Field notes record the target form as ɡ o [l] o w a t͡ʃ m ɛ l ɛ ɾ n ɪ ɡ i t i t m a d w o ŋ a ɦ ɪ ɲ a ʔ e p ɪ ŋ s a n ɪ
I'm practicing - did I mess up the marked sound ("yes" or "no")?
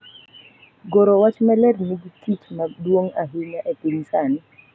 yes